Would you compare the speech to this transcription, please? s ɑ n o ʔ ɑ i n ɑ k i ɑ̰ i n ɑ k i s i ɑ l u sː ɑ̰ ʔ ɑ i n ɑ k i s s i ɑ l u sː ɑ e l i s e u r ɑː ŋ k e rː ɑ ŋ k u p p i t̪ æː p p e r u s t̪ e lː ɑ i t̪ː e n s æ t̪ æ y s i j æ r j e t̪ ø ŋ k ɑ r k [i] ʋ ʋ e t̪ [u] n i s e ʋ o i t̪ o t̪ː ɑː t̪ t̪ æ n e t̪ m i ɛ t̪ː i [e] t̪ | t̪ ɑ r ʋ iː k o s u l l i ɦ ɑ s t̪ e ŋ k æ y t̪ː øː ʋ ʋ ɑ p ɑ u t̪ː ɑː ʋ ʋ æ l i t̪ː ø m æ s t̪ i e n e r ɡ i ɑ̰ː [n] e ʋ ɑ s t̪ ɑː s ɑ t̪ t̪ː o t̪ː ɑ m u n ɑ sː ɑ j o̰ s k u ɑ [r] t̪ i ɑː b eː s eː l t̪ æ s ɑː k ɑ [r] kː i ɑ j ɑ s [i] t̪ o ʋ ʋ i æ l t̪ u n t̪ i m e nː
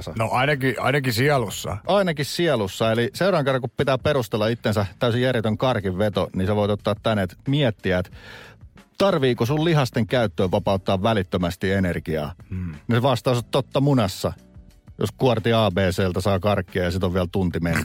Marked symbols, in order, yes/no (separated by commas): yes, no, no, yes, yes, yes, yes